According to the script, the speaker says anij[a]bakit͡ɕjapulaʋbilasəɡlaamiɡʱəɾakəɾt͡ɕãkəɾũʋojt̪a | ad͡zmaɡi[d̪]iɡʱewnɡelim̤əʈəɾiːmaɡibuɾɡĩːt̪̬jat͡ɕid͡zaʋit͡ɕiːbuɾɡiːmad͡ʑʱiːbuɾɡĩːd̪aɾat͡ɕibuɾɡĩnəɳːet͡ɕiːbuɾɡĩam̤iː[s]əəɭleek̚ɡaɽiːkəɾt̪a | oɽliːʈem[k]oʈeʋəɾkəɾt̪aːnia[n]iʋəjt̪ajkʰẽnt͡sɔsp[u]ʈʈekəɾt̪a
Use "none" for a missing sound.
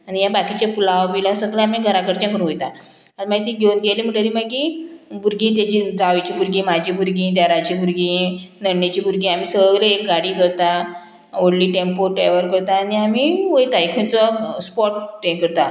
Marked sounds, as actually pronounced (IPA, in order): a, t̪, s, p, m, ɔ

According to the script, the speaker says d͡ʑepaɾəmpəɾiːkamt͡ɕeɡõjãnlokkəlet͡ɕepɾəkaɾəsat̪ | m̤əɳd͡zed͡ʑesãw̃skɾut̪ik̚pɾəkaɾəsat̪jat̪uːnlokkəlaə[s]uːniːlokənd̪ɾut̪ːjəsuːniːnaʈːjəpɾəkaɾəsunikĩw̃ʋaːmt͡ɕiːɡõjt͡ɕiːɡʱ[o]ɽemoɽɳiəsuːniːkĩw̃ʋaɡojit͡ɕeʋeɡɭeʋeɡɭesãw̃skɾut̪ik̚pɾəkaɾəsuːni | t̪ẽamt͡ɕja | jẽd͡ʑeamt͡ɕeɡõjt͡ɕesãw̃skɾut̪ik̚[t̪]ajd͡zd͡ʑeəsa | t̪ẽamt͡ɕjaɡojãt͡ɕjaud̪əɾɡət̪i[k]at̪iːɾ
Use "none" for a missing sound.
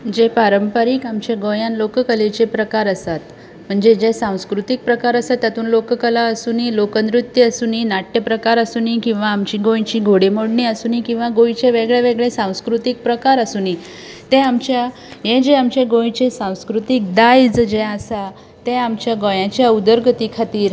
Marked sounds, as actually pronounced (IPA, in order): s, o, d̪, kʰ

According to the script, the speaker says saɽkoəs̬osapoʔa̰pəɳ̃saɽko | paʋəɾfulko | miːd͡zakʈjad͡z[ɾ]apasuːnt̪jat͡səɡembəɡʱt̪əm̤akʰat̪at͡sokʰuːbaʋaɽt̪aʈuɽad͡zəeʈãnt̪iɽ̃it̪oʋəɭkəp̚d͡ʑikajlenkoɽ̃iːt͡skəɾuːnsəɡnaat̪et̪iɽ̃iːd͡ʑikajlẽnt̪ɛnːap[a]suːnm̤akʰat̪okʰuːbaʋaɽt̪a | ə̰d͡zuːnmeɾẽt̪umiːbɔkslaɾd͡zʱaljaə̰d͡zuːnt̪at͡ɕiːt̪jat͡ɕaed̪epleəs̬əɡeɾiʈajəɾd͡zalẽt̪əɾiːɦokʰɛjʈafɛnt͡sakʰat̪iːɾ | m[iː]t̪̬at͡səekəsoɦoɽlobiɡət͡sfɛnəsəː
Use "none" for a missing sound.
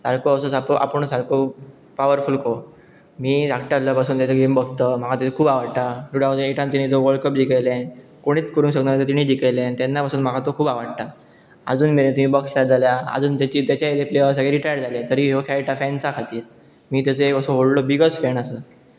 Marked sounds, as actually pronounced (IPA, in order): l, a, iː

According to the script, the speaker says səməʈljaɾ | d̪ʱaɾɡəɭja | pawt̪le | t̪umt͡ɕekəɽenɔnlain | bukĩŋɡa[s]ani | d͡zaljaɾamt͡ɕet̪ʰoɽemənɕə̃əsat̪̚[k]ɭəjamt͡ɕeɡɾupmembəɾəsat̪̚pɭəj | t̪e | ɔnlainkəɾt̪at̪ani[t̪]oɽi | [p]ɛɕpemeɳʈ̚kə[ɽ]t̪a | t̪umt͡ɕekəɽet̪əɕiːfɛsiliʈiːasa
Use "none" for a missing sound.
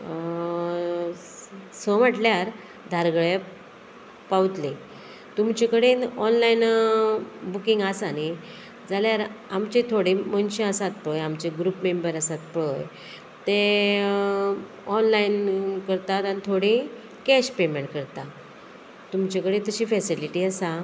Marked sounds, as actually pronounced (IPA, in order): s, p, t̪ʰ, k, ɾ

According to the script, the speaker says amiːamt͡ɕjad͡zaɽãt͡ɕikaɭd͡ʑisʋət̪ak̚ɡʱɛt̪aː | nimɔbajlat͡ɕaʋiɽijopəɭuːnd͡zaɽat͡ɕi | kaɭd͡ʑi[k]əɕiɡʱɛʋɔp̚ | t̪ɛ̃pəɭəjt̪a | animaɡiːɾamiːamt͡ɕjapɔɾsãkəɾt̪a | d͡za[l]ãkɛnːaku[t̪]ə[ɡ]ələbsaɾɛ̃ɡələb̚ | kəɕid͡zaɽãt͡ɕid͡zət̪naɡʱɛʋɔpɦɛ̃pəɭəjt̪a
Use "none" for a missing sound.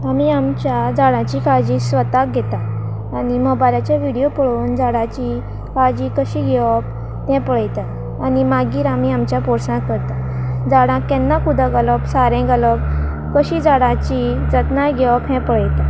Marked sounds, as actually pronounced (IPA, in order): k, ɽ, d̪, ɡ

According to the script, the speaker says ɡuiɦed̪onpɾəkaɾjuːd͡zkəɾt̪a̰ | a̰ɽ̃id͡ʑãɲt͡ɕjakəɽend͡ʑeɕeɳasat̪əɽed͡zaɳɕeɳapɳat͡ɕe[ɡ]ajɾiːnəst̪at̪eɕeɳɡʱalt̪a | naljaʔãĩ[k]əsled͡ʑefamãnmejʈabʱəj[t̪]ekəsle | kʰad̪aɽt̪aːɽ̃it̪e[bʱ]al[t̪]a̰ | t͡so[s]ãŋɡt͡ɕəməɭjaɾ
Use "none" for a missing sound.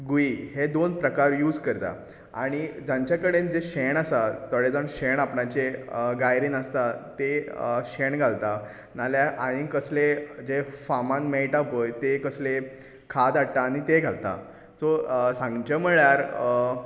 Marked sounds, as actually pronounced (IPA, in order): ɡ, k, t̪, ɡʱ, t̪, s

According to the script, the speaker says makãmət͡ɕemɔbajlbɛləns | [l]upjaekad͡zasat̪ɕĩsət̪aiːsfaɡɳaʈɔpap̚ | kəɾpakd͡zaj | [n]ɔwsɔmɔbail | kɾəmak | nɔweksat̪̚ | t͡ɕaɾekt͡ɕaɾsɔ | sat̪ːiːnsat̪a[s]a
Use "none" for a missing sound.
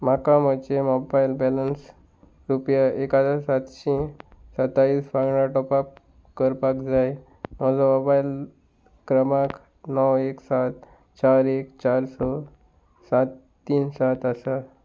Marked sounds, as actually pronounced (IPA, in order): ɾ, n, s

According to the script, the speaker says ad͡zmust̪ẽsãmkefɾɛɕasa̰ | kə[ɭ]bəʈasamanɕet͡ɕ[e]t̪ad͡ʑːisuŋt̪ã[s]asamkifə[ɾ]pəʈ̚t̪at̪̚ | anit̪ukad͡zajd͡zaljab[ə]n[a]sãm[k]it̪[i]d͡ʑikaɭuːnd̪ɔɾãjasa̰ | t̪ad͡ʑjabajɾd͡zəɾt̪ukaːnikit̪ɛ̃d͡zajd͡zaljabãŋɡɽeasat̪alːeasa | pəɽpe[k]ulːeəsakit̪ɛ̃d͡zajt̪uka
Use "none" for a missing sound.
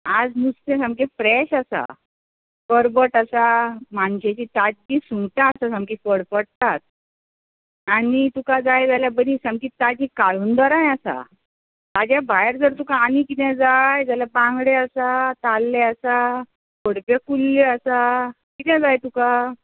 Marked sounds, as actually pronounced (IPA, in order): ɾ, i, s, ɽ, ə, i, k, a, k

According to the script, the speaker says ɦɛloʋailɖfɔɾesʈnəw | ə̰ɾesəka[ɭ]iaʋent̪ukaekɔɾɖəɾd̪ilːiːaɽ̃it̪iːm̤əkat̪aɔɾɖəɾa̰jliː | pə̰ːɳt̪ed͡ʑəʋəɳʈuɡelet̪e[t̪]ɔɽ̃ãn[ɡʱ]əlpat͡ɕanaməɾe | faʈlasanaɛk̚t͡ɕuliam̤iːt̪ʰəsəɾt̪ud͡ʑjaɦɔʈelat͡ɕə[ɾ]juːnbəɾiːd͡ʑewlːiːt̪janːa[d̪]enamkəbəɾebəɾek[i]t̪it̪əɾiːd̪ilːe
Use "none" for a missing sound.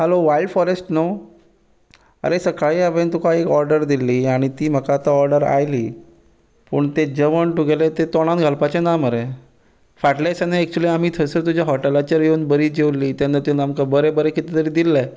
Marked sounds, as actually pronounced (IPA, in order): ɭ, t̪, ɡʱ, ɾ, t̪, i

